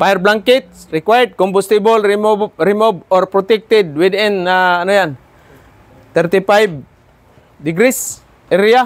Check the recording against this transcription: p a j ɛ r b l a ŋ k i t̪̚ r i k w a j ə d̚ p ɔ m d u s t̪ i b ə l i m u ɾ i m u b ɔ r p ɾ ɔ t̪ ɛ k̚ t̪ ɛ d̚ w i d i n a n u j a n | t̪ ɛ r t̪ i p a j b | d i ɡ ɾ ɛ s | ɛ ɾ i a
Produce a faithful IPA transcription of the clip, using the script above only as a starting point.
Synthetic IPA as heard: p a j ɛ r b l a ŋ k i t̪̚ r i k w a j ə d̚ k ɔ m b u s t̪ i b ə l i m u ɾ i m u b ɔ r p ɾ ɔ t̪ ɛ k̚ t̪ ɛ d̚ w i d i n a n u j a n | t̪ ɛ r t̪ i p a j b | d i ɡ ɾ i s | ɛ ɾ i a

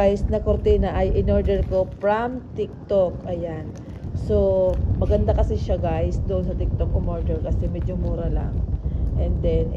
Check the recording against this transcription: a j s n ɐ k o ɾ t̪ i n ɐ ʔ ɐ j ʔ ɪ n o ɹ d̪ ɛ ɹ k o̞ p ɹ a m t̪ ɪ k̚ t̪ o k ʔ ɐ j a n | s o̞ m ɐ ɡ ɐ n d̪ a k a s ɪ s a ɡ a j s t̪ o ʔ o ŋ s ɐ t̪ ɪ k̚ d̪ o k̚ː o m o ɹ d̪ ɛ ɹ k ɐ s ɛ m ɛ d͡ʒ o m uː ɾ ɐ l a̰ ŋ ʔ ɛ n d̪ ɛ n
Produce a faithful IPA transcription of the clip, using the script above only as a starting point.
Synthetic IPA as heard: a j s n ɐ k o ɾ t̪ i n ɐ ʔ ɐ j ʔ ɪ n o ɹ d̪ ɛ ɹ k o̞ p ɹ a m t̪ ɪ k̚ t̪ o k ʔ ɐ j a n | s o̞ m ɐ ɡ ɐ n d̪ a k ɐ s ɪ ʃ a ɡ a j s d̪ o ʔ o n s ɐ t̪ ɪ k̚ t̪ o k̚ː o m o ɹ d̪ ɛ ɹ k ɐ s ɛ m ɛ d͡ʒ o m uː ɾ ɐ l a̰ ŋ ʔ ɛ n d̪ ɛ n

